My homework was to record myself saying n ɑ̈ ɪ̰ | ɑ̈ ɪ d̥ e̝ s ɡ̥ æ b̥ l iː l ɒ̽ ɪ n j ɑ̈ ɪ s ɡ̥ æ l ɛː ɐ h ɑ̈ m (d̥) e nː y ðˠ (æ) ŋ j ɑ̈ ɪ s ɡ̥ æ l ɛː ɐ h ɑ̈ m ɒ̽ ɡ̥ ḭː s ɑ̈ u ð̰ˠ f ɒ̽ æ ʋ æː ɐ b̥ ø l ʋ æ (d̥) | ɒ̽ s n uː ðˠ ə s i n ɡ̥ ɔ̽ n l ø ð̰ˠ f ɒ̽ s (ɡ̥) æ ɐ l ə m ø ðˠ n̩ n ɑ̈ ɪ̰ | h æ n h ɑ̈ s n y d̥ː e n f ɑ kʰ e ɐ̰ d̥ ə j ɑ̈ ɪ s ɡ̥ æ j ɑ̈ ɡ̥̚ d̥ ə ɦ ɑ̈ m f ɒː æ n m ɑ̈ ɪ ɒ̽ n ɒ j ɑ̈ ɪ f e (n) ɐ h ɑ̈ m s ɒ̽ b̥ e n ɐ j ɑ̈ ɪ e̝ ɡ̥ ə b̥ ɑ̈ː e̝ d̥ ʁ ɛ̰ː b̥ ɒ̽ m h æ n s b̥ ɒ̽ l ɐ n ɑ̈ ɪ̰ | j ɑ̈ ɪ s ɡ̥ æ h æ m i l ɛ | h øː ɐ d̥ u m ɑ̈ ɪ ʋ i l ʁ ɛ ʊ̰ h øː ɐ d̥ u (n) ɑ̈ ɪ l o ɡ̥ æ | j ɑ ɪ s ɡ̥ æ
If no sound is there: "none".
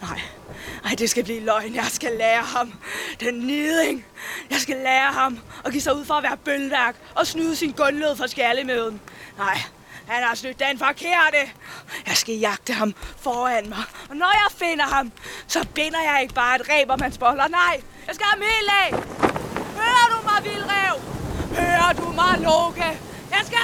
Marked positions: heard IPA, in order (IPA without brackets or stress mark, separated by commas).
d̥, e, ɡ̥, ɡ̥, n, m